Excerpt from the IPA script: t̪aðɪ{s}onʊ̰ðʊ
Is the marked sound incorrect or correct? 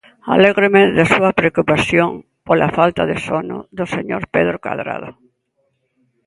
correct